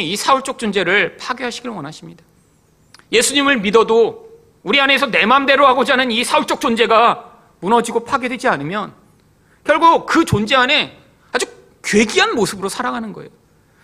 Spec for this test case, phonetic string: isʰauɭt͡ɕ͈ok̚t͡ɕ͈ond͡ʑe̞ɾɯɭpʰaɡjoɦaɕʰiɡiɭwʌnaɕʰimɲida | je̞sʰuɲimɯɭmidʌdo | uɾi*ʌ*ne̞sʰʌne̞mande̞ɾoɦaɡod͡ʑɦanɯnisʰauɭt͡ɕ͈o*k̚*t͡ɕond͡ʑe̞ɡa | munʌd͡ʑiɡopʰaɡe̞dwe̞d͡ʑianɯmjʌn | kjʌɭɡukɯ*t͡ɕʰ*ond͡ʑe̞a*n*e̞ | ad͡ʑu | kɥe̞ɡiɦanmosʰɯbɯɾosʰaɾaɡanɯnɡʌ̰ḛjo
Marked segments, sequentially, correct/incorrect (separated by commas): incorrect, correct, incorrect, correct